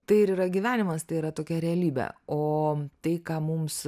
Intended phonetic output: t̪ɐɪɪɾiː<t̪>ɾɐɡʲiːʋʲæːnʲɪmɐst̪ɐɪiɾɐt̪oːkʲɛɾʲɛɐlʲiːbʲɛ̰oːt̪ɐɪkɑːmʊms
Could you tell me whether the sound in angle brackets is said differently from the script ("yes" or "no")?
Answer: yes